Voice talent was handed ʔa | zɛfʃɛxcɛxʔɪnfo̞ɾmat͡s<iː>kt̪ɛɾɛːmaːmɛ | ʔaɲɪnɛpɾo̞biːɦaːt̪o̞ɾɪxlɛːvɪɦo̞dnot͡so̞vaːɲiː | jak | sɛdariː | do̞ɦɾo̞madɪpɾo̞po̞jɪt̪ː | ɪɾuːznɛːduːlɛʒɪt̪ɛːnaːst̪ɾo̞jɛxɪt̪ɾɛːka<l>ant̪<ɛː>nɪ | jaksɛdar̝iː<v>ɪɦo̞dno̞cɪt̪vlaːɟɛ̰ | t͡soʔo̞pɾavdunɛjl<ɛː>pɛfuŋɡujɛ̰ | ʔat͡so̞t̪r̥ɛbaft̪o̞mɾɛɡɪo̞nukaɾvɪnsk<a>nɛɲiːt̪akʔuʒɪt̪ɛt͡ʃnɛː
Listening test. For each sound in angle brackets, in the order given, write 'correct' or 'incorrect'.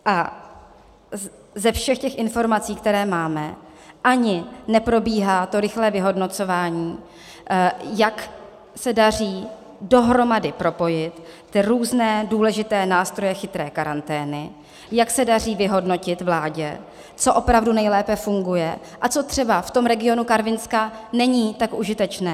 correct, incorrect: ɾ, correct, correct, correct, correct

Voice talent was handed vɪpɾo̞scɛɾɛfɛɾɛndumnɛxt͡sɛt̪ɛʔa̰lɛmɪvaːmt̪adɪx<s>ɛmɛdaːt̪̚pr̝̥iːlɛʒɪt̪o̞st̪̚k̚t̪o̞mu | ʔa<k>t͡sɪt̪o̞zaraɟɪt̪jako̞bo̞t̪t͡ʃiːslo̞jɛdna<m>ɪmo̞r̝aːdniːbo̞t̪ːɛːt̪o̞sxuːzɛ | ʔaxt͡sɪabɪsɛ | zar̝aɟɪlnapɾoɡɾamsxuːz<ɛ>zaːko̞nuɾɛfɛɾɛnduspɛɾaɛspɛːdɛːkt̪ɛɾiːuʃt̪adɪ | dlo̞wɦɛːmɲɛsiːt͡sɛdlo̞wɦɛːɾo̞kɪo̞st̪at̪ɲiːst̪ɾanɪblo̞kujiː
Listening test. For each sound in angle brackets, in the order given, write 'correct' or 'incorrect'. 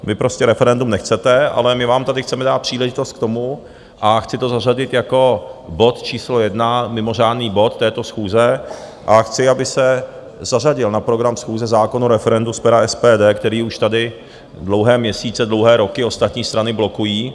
incorrect: t͡s, incorrect: x, correct, correct

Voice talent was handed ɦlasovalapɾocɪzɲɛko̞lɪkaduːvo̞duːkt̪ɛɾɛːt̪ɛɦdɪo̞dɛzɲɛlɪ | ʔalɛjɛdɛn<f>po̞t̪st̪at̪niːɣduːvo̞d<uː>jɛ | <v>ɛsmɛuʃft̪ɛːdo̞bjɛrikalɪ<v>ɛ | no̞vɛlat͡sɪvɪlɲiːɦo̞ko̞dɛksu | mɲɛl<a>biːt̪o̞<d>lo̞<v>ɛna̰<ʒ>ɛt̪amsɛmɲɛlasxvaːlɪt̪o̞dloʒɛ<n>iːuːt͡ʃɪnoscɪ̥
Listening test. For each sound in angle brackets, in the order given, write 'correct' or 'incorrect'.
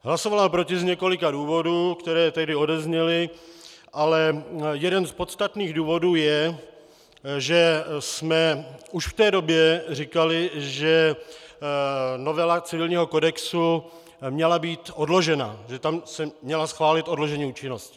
incorrect: s, correct, incorrect: ʒ, incorrect: ʒ, correct, correct, incorrect: ʒ, correct, incorrect: ɲ

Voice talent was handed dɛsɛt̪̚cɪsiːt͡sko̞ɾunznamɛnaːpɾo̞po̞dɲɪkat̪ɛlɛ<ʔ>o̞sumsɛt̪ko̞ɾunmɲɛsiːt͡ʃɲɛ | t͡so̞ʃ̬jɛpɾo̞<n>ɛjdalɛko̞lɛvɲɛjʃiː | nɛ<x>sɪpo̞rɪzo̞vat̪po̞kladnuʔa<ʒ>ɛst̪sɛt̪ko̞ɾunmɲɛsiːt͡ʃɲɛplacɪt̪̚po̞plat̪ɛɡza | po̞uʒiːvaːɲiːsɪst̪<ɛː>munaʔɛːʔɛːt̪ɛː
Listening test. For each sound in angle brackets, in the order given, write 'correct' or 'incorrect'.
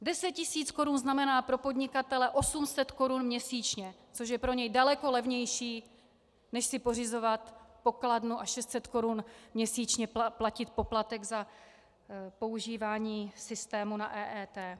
correct, incorrect: ɲ, incorrect: ʃ, incorrect: ʃ, correct

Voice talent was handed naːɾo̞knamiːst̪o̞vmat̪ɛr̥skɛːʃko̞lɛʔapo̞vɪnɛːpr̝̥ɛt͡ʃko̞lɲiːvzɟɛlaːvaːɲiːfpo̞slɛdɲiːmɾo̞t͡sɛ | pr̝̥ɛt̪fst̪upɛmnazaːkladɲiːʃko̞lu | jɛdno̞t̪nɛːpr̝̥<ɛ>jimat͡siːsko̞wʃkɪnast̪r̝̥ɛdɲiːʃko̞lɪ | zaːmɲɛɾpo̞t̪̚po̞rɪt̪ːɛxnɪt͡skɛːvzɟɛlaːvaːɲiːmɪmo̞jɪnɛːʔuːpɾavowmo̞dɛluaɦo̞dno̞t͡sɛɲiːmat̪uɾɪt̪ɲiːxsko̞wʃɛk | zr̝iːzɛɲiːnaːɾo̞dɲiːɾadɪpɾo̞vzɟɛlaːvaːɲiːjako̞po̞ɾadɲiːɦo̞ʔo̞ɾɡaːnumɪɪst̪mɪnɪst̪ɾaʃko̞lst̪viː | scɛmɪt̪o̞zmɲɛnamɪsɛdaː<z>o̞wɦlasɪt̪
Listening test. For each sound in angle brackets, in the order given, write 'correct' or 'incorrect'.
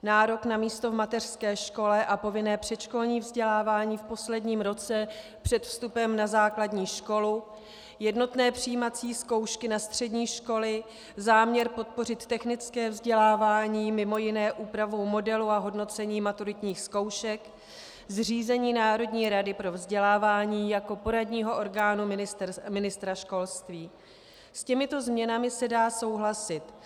incorrect: i, incorrect: s

